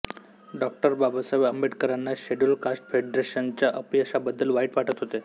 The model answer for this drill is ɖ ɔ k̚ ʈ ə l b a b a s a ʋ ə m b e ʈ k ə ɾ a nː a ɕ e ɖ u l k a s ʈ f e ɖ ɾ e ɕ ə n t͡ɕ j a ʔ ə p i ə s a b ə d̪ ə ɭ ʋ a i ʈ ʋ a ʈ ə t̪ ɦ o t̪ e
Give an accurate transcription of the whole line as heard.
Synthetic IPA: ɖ ɔ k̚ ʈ ə ɾ b a b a s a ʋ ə m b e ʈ k ə ɾ a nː a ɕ e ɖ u l k a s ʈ f e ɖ ɾ e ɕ ə n t͡ɕ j a ʔ ə p i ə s a b ə d̪ː ə l ʋ a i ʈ ʋ a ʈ ə t̪ ɦ o t̪ e